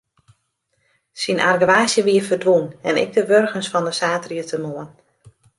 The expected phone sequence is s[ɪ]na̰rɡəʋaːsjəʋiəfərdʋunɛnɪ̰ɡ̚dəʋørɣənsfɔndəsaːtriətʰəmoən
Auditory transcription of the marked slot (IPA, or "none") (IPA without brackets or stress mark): i